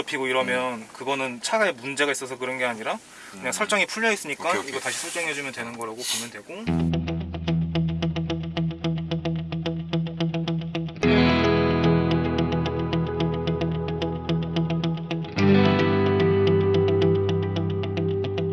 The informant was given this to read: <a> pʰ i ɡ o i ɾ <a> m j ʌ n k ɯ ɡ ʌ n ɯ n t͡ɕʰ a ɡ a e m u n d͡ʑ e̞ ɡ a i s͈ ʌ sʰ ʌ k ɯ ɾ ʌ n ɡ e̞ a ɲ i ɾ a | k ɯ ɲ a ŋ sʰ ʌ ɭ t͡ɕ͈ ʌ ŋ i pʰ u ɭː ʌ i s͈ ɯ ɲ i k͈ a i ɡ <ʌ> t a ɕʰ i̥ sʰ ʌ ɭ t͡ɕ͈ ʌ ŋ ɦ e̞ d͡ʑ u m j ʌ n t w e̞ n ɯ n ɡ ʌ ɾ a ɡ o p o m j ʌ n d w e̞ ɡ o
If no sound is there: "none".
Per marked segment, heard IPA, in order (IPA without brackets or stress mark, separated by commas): ʌ, ʌ, ʌ